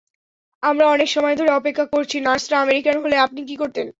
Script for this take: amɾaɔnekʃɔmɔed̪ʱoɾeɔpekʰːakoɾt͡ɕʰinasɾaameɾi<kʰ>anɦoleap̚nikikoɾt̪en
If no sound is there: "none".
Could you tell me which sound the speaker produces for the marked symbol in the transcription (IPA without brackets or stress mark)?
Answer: k